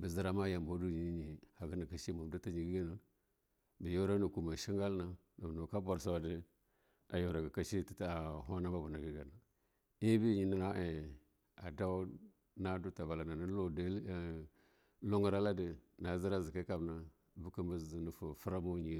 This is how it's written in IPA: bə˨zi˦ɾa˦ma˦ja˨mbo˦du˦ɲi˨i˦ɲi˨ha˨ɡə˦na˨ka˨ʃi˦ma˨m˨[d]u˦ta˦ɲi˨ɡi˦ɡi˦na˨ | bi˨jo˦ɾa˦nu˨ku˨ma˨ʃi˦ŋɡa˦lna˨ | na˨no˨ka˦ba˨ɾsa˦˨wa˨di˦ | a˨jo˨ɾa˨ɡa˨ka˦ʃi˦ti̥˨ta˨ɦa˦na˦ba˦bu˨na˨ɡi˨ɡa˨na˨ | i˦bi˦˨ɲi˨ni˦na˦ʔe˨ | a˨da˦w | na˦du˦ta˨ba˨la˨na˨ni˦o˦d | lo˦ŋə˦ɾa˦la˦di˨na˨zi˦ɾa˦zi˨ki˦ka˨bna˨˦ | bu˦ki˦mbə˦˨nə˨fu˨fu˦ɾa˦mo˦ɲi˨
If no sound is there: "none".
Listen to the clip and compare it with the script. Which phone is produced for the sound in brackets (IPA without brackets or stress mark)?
d